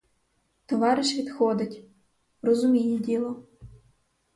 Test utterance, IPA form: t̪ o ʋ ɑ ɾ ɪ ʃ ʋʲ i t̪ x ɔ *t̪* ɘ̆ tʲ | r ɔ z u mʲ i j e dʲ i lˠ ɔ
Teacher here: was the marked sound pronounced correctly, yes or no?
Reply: no